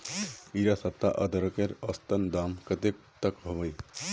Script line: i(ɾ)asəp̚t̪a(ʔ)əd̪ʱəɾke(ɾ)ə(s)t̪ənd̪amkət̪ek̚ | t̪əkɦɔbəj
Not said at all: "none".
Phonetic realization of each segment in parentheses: ɾ, ʔ, ɾ, s

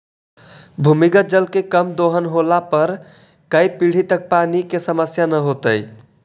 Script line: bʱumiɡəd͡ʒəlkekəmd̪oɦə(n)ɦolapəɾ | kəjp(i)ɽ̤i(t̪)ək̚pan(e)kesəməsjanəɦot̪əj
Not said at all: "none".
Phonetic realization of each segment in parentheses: n, i, t̪, i

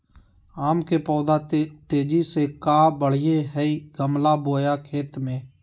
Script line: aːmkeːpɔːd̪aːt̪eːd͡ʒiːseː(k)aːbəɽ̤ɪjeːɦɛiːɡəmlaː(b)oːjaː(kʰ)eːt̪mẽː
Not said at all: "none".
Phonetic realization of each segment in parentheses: k, b, kʰ

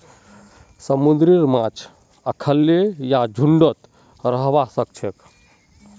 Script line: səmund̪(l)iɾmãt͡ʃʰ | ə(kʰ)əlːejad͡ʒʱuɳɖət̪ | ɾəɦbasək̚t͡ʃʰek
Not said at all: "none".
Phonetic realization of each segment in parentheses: ɾ, kʰ

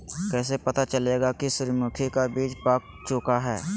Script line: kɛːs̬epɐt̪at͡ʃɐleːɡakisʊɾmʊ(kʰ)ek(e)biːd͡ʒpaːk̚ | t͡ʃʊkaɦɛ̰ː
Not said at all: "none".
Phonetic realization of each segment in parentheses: kʰ, a

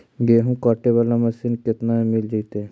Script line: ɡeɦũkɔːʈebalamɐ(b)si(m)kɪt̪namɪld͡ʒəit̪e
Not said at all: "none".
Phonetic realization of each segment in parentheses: none, n

